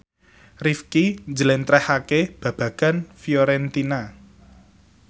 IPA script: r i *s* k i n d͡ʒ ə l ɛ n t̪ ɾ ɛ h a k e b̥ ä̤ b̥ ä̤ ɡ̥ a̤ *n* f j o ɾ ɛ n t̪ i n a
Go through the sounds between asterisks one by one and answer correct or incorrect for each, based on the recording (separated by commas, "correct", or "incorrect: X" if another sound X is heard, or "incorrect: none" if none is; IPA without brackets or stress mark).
incorrect: f, correct